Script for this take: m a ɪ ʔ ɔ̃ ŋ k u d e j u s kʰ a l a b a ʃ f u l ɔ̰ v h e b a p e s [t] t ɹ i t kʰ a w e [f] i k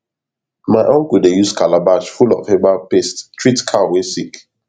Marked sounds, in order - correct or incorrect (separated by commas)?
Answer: correct, incorrect